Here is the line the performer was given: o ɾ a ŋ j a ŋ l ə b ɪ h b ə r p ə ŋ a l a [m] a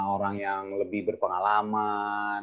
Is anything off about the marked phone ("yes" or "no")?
no